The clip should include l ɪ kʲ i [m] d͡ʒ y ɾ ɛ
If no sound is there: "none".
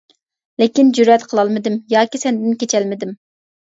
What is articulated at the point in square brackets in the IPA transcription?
n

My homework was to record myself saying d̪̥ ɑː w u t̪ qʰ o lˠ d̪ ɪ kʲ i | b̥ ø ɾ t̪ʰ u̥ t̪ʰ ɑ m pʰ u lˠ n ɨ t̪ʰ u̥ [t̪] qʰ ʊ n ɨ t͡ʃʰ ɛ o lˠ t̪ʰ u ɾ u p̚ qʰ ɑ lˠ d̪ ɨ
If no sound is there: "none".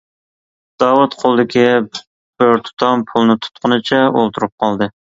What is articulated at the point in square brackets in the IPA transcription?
t̪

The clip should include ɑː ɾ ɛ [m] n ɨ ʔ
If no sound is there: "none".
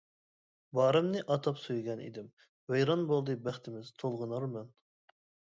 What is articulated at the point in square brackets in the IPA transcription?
m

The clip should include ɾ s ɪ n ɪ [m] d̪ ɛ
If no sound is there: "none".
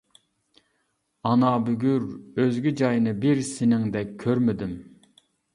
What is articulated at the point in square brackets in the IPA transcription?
ŋ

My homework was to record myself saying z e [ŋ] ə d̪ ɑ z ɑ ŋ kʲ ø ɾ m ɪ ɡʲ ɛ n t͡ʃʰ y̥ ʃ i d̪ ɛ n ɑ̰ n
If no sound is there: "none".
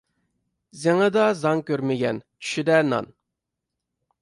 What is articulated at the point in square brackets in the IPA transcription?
ŋ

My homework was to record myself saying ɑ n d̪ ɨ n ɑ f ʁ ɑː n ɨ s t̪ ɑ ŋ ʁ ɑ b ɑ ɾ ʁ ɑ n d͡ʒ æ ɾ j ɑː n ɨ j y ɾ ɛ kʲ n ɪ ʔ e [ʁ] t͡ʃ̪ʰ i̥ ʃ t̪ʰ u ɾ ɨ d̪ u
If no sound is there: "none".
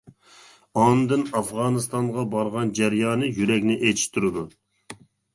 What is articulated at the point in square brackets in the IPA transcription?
none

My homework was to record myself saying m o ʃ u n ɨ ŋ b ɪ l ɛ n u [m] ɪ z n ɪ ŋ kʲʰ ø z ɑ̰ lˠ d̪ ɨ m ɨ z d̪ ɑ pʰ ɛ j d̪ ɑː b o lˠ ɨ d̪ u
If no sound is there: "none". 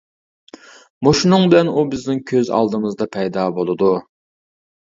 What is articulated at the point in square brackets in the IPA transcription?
b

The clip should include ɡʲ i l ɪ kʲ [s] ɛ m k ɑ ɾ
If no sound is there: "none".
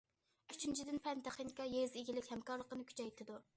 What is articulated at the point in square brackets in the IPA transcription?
h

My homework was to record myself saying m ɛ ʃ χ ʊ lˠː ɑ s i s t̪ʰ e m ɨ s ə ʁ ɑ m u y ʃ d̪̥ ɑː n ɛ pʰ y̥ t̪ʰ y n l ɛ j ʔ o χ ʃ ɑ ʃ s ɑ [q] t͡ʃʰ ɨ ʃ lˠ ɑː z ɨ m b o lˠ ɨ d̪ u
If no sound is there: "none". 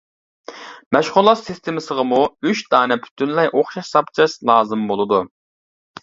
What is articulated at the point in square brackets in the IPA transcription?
p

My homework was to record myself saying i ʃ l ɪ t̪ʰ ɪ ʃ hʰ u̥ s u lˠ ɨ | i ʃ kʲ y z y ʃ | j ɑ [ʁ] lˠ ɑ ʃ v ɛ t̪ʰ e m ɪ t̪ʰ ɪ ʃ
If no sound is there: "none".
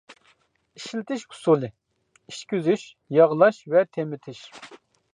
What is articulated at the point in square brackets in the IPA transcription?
ʁ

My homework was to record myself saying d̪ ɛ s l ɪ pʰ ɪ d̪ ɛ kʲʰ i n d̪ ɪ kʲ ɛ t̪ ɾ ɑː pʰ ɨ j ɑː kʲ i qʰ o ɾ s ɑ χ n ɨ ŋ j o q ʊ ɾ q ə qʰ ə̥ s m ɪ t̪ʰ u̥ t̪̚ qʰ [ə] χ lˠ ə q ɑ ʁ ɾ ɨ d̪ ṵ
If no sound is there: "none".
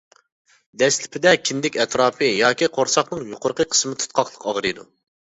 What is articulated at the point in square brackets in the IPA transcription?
ɑ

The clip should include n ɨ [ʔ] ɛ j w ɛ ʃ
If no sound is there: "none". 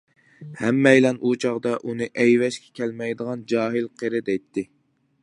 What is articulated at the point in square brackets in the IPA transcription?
ʔ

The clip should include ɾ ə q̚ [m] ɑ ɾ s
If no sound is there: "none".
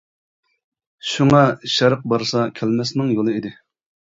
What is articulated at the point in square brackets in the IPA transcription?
b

